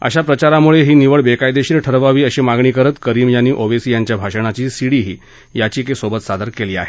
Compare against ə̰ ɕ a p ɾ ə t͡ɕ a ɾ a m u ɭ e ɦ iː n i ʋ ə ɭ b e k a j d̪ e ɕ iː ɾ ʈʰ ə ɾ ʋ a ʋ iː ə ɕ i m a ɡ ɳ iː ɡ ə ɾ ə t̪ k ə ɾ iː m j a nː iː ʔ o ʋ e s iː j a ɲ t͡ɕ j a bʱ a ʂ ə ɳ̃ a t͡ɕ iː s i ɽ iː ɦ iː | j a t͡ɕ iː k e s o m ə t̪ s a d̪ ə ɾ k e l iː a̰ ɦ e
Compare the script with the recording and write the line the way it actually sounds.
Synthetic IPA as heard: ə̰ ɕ a p ɾ ə t͡ɕ a ɾ a m u ɭ e ɦ iː n i ʋ ə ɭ b e k a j d̪ e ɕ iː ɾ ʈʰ ə ɾ ʋ a ʋ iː ə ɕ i m a ɡ ɳ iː k ə ɾ ə t̪ k ə ɾ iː m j a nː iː ʔ o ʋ e s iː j a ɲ t͡ɕ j a bʱ a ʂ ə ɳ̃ a t͡ɕ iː s i ɽ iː ɦ iː | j a t͡ɕ iː k e s o b ə t̪ s a d̪ ə ɾ k e l iː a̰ ɦ e